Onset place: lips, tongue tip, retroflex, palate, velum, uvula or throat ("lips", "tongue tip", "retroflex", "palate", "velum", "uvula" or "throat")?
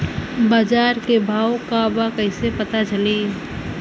lips